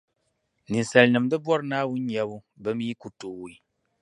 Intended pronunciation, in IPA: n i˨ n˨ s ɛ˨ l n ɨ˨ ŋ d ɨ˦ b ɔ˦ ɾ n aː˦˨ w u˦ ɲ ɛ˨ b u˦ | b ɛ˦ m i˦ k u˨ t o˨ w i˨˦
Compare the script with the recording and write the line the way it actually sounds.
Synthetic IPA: n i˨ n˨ s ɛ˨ l n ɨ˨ m d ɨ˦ b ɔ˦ ɾ n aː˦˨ w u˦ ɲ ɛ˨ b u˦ | b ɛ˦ m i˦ k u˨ t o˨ w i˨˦